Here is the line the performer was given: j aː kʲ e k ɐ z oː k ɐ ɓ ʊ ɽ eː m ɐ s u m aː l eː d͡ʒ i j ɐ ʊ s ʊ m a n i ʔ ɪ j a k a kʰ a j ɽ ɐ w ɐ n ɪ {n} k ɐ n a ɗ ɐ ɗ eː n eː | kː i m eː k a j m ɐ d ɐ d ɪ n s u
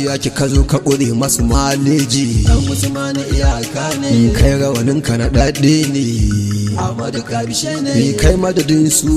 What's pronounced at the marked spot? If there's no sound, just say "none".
ŋ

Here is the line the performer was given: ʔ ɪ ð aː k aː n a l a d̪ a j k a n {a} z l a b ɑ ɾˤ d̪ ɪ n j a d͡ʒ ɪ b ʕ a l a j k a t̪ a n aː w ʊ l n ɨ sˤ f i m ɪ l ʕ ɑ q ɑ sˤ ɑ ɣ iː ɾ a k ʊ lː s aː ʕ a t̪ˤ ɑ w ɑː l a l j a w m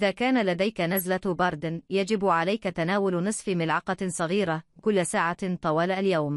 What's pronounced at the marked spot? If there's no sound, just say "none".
a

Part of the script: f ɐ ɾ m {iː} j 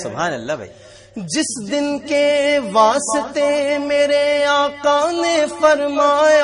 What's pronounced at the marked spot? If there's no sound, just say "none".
aː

